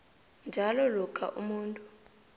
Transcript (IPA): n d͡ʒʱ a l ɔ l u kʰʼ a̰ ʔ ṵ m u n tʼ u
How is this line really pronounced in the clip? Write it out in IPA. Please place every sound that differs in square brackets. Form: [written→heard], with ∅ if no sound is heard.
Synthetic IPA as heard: n d͡ʒʱ a l ɔ l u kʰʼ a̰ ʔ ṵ m [u→uː] n tʼ u